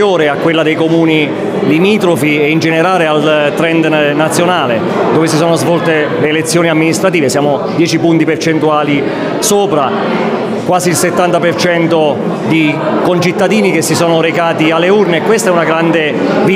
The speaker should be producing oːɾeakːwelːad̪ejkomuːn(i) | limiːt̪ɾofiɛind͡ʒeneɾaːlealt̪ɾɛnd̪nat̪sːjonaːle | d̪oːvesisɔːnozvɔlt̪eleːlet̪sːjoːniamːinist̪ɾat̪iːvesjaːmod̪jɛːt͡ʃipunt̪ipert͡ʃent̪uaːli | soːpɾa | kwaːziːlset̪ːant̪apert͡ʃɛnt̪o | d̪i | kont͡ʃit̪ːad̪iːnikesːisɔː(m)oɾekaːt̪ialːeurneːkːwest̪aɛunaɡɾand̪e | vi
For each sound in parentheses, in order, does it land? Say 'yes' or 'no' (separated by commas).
yes, no